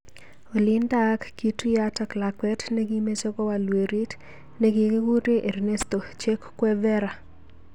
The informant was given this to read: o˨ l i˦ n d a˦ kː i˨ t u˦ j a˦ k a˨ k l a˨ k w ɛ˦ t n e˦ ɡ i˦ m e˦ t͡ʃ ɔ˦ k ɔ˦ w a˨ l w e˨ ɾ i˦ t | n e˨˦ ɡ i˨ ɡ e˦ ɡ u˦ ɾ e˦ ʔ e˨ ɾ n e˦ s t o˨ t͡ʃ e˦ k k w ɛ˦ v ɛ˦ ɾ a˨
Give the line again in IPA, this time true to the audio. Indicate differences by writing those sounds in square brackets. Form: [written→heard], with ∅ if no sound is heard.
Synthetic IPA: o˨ l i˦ n d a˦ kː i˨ t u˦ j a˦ [k→t] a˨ k l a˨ k w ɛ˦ t n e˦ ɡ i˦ m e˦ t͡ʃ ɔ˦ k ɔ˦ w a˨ l w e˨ ɾ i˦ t | n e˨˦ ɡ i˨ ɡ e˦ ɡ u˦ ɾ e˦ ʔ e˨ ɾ n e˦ s t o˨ t͡ʃ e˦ k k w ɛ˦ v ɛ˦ ɾ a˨

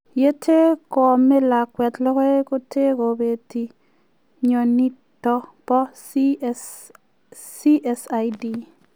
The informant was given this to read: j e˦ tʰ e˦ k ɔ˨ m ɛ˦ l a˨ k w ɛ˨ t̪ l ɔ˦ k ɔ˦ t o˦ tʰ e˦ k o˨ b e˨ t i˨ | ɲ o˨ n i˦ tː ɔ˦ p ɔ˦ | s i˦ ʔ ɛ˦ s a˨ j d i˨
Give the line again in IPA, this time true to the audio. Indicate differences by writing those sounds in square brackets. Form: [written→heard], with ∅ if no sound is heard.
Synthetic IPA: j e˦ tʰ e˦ k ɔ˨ m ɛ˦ l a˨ k w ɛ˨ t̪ l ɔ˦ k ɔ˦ [t→k] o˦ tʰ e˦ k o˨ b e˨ t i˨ | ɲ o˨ n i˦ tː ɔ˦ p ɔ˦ | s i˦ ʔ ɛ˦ s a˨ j d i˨

